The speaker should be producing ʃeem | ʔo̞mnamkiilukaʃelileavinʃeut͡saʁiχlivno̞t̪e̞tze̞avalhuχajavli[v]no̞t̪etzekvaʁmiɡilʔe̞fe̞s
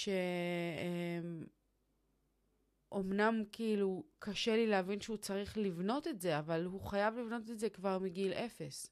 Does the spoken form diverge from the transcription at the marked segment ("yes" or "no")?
no